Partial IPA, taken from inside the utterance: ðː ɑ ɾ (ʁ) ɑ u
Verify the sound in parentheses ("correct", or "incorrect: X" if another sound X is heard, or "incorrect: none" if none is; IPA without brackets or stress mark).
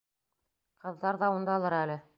incorrect: ð